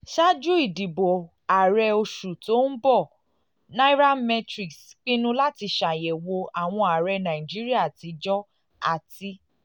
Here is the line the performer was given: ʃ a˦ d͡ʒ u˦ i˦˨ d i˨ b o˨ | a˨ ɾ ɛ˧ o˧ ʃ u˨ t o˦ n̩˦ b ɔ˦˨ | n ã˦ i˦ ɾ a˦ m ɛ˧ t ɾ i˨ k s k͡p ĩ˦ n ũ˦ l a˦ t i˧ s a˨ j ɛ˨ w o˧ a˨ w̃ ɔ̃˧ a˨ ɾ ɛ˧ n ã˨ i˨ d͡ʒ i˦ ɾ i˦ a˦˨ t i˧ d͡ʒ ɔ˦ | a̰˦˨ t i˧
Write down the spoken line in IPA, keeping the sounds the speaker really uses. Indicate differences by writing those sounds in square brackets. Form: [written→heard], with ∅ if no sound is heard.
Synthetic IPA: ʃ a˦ d͡ʒ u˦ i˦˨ d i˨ b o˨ | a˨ ɾ ɛ˧ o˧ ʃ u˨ t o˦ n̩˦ b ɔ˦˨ | n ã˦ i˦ ɾ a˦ m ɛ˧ t ɾ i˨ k s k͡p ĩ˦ n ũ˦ l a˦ t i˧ [s→ʃ] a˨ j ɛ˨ w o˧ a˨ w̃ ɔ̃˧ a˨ ɾ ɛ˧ n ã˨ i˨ d͡ʒ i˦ ɾ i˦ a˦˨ t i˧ d͡ʒ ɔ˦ | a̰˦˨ t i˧